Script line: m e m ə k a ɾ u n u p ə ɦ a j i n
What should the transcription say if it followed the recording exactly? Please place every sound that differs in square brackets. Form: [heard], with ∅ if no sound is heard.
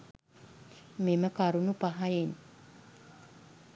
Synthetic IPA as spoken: m e m ə k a ɾ u n u p [a] ɦ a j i n